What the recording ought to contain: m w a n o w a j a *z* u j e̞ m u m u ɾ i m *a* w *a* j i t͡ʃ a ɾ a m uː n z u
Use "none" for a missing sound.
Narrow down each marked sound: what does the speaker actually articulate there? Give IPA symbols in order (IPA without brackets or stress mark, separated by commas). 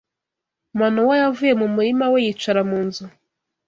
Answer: v, a, e